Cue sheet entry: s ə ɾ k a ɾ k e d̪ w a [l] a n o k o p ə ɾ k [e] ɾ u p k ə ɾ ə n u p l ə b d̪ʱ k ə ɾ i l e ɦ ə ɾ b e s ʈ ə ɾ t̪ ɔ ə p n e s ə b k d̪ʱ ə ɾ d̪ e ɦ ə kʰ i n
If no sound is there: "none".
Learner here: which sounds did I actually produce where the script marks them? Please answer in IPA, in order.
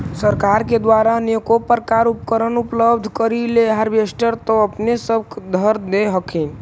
ɾ, a

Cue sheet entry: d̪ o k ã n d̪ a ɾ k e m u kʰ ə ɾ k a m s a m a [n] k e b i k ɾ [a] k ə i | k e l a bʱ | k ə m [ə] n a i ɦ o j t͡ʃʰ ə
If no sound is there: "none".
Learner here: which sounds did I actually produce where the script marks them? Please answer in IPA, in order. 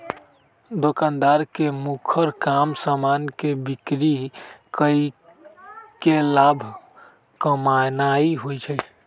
n, i, a

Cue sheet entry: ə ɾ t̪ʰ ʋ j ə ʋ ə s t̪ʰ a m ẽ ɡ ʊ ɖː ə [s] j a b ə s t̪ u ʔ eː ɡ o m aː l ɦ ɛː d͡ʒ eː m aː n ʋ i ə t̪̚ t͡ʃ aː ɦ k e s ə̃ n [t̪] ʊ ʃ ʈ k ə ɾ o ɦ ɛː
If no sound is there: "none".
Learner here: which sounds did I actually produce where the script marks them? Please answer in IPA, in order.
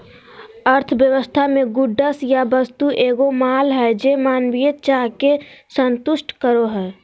s, t̪

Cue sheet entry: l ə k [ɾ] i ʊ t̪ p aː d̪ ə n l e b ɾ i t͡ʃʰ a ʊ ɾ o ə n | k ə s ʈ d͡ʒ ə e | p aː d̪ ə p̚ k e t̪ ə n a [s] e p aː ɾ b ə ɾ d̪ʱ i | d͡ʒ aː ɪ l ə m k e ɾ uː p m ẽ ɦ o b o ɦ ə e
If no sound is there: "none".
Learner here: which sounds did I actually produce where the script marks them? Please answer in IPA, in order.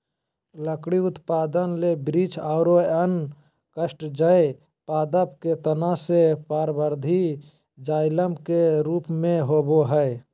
ɽ, s

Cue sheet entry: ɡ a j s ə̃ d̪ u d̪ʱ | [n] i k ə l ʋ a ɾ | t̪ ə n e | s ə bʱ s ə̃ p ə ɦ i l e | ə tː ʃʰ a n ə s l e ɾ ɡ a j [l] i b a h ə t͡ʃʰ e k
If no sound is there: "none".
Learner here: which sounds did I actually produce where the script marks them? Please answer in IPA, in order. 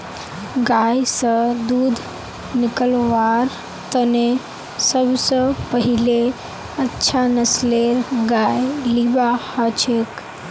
n, l

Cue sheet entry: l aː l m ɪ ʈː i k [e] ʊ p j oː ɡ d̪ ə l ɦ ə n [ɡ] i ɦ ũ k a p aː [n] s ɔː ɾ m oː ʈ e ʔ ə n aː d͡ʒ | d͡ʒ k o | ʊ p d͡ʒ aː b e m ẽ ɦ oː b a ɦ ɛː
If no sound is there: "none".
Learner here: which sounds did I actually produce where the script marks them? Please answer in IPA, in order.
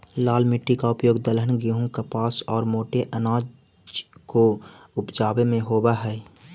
a, ɡ, none

